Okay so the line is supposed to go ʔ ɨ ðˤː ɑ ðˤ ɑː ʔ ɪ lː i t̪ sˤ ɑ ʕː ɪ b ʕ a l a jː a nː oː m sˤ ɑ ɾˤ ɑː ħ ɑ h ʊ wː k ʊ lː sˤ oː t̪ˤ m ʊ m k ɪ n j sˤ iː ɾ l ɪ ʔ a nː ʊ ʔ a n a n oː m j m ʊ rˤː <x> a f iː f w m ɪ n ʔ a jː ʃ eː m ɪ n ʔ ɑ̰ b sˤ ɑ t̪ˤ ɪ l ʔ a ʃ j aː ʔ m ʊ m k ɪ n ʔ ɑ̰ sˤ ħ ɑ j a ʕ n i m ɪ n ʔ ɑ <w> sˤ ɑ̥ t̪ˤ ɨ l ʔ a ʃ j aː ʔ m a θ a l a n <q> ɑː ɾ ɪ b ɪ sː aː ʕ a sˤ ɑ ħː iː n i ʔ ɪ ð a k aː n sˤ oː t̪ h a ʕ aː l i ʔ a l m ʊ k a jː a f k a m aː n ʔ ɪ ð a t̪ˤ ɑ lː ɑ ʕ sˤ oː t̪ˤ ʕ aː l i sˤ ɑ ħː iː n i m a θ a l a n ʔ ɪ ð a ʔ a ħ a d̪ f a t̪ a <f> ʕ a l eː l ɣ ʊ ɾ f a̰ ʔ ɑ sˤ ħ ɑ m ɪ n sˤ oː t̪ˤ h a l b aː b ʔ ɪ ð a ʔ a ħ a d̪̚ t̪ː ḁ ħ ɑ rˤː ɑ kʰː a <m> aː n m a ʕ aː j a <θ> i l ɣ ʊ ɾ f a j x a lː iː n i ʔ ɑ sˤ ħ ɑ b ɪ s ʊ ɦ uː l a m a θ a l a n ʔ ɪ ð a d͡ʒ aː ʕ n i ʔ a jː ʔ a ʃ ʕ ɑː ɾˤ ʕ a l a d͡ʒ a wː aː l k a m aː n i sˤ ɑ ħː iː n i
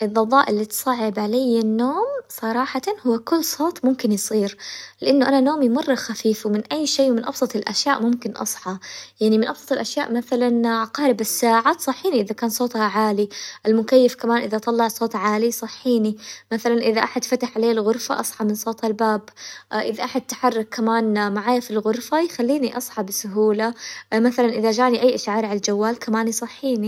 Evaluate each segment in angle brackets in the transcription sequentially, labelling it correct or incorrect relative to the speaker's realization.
correct, incorrect: b, correct, incorrect: ħ, correct, incorrect: f

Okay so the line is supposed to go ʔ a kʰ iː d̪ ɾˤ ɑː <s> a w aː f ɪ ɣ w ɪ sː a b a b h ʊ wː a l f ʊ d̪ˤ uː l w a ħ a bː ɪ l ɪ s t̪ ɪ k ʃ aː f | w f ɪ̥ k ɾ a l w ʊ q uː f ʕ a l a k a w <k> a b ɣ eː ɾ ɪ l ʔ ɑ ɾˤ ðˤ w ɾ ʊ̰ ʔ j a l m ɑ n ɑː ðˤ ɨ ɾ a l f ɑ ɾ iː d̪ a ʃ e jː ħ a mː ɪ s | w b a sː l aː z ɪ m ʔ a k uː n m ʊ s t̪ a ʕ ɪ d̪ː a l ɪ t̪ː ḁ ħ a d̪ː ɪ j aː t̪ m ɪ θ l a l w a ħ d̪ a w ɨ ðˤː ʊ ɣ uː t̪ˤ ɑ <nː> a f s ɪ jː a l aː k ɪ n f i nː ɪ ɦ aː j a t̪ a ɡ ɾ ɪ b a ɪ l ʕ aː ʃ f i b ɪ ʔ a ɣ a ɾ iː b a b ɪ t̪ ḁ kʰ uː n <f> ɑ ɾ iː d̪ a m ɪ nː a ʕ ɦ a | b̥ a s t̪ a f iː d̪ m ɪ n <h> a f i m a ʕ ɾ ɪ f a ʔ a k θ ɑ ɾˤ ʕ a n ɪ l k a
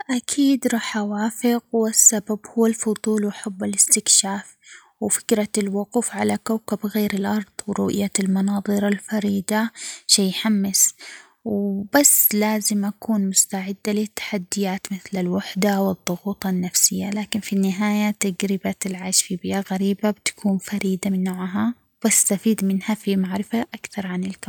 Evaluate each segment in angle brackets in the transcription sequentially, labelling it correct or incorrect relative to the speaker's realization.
incorrect: ħ, correct, correct, correct, correct

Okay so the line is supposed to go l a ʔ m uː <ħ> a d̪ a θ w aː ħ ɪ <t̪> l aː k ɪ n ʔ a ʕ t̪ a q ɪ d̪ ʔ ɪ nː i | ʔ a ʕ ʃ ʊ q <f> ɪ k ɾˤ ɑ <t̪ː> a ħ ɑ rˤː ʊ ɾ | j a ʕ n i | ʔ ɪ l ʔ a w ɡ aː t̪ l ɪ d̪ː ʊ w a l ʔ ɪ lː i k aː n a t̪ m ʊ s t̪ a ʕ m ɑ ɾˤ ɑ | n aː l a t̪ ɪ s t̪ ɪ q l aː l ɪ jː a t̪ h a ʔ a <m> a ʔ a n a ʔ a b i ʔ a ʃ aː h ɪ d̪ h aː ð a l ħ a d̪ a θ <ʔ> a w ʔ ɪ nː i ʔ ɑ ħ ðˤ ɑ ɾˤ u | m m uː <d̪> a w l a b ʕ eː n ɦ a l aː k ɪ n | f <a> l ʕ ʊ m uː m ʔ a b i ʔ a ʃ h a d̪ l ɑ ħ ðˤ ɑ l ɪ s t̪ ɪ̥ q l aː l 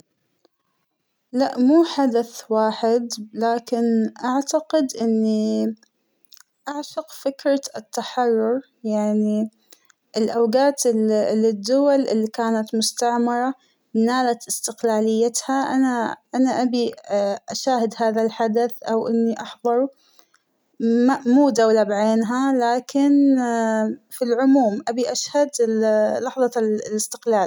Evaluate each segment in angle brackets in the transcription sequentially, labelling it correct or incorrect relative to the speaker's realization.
correct, incorrect: d̪, correct, correct, incorrect: n, correct, correct, incorrect: i

